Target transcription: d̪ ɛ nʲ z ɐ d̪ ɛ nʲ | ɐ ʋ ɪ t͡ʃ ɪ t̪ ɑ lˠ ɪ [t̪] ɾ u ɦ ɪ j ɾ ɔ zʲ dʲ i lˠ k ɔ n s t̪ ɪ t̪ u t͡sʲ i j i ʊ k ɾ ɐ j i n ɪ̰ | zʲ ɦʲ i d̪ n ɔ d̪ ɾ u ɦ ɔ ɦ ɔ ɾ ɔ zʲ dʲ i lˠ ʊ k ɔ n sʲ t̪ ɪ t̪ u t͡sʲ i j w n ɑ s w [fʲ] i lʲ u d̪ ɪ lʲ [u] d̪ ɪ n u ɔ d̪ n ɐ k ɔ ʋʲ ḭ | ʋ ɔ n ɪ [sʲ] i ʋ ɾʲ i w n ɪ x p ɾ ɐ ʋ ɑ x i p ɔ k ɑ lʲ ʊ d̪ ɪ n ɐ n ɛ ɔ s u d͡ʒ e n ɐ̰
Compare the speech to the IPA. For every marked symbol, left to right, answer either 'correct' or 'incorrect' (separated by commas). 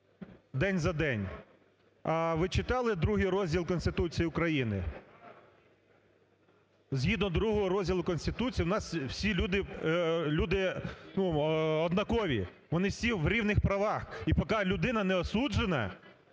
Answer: incorrect, incorrect, correct, correct